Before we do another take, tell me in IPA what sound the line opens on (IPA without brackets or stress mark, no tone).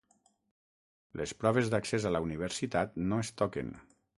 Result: l